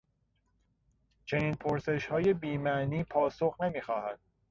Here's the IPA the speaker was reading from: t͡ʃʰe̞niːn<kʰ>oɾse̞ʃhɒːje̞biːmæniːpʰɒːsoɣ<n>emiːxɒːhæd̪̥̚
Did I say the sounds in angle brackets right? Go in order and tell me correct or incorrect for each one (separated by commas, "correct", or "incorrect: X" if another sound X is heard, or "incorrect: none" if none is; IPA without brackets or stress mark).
incorrect: pʰ, correct